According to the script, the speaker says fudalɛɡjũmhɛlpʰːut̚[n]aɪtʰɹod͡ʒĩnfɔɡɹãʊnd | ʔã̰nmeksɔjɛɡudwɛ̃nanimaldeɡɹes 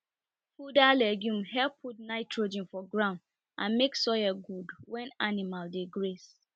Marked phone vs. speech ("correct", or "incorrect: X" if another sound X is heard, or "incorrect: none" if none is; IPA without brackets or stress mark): correct